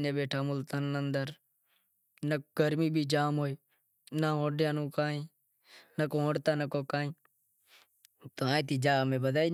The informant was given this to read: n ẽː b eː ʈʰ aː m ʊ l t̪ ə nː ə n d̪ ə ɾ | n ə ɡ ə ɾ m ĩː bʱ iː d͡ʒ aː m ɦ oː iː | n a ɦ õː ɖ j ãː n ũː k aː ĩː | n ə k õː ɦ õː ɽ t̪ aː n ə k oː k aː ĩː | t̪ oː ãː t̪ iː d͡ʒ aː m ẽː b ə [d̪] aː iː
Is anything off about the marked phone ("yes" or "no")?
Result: no